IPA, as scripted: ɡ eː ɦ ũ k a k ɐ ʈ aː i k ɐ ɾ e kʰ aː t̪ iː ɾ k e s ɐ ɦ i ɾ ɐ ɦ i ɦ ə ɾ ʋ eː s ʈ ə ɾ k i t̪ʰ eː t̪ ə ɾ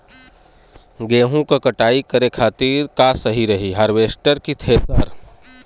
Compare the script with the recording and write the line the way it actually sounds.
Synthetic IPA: ɡ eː ɦ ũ k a k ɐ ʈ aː i k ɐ ɾ e kʰ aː t̪ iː ɾ k a s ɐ ɦ i ɾ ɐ ɦ i ɦ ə ɾ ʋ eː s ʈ ə ɾ k i t̪ʰ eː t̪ ə ɾ